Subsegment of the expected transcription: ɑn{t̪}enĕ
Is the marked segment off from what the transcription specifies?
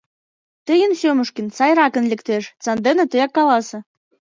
yes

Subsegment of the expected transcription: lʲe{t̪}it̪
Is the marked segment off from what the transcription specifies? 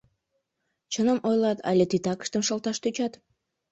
no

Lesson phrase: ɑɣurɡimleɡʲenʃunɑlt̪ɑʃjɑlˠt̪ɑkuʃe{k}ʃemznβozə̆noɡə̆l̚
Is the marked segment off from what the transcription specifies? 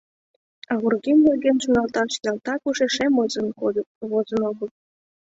yes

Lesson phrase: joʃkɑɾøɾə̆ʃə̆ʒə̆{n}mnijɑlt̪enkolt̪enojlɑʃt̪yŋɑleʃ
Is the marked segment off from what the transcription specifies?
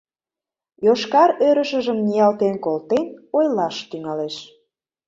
yes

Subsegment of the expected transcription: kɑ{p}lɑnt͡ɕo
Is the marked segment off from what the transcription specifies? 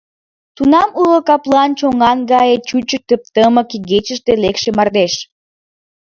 no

